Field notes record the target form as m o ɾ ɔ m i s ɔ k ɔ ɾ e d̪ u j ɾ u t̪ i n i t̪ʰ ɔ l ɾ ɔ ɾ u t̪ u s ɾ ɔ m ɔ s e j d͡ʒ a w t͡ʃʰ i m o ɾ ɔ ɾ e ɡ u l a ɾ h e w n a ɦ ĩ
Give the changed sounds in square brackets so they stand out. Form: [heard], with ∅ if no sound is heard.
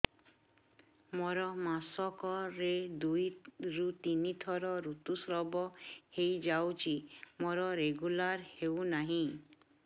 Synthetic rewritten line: m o ɾ ɔ m [a] s ɔ k ɔ ɾ e d̪ u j ɾ u t̪ i n i t̪ʰ ɔ [∅] ɾ ɔ ɾ u t̪ u s ɾ ɔ [b] ɔ [h] e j d͡ʒ a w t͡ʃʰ i m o ɾ ɔ ɾ e ɡ u l a ɾ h e w n a ɦ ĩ